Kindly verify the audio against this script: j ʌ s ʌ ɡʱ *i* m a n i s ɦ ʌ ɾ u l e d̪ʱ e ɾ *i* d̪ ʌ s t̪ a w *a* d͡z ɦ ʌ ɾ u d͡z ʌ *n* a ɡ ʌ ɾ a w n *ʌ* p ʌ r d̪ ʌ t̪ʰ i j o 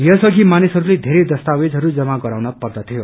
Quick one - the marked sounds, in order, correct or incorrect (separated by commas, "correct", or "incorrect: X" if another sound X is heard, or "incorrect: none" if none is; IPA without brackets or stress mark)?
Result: correct, incorrect: e, incorrect: e, incorrect: m, correct